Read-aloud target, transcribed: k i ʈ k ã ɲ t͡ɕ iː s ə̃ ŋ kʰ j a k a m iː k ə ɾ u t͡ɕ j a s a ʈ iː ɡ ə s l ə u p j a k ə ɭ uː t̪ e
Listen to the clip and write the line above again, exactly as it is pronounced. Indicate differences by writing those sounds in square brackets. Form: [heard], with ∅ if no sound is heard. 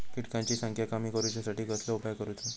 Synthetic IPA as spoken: k i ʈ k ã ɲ t͡ɕ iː s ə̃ ŋ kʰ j a k a m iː k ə ɾ u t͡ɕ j a s a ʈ iː ɡ ə s l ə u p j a k ə [ɾ] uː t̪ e